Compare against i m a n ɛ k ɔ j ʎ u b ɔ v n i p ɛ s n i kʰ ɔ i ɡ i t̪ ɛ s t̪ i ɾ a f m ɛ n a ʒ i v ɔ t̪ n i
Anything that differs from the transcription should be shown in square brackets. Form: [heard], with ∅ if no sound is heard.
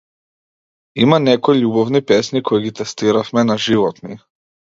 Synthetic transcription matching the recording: i m a n ɛ k ɔ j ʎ u b ɔ v n i p ɛ s n i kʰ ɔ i ɡ i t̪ ɛ s t̪ i ɾ a f m ɛ n a ʒ i v ɔ t̪ n i